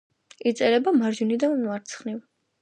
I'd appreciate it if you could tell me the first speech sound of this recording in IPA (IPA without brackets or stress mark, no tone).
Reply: i